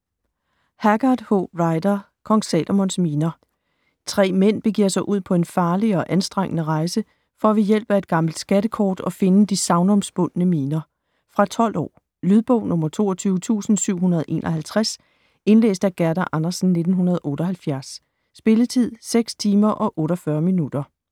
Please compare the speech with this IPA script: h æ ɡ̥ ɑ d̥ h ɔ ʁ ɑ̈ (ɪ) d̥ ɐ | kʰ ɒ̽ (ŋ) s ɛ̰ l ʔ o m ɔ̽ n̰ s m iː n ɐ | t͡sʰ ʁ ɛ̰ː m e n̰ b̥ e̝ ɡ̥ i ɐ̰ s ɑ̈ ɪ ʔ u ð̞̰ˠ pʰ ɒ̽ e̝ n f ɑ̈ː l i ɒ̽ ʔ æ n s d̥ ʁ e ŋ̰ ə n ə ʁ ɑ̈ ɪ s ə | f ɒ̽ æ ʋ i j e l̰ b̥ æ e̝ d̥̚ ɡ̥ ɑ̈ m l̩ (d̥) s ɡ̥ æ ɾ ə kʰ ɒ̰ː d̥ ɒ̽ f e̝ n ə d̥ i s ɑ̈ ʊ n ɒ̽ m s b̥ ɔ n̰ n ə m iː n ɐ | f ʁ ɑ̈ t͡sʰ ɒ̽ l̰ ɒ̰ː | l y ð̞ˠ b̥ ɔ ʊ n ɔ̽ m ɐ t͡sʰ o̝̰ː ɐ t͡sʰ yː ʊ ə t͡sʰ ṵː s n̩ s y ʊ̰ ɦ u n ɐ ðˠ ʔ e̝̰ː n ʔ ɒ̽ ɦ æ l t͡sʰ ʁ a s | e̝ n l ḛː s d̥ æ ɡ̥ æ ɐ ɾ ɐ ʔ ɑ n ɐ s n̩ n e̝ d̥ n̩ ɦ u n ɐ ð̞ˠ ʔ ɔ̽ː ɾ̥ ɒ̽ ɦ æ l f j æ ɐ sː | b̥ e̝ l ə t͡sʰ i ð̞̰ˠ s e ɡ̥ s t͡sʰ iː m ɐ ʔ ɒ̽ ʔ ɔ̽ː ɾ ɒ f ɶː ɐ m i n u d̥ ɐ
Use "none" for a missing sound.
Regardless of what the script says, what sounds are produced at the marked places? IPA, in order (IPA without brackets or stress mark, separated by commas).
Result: ɪ, ŋ, d̥